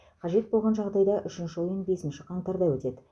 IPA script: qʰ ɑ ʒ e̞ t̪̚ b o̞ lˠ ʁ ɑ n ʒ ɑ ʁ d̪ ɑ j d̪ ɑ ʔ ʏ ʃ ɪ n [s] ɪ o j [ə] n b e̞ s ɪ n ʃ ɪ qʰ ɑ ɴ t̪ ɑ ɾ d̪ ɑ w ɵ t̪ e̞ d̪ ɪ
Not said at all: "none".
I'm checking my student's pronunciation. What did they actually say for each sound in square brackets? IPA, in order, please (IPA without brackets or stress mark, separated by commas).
ʃ, ə